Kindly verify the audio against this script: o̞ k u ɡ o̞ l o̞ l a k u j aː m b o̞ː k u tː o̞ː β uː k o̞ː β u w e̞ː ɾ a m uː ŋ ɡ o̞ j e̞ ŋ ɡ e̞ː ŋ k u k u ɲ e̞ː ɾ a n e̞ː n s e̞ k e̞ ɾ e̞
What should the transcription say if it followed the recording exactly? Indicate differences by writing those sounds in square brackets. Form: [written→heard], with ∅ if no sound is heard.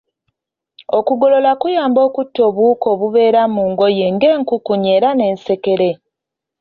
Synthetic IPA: o̞ k u ɡ o̞ l o̞ l a k u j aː m b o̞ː k u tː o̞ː β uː k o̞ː β u [w→β] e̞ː ɾ a m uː ŋ ɡ o̞ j e̞ ŋ ɡ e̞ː ŋ k u k u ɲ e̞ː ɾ a n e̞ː n s e̞ k e̞ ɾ e̞